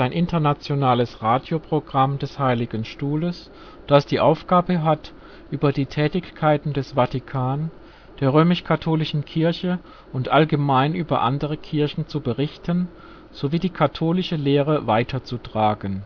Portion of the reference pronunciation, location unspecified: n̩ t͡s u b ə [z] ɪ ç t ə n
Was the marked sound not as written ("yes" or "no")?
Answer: yes